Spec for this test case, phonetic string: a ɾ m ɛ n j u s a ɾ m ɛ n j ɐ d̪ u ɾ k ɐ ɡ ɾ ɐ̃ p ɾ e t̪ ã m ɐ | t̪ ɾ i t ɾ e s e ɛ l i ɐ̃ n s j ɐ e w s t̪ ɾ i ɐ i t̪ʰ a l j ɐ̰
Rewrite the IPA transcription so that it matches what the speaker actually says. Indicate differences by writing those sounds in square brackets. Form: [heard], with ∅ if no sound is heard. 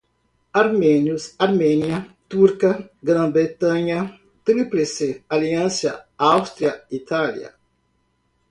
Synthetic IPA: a ɾ m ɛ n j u s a ɾ m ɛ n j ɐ [t̪] u ɾ k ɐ ɡ ɾ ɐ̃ [b] ɾ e t̪ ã [ɲ] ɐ | t̪ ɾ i [p] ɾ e s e [a] l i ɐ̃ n s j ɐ [a] w s t̪ ɾ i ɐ i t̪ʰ a l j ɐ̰